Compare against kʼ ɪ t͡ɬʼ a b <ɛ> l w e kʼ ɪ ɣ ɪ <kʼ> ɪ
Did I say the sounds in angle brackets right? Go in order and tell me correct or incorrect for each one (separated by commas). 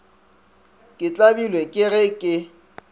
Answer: incorrect, correct